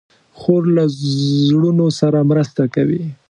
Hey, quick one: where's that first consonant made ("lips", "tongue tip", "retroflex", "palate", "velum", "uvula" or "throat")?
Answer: velum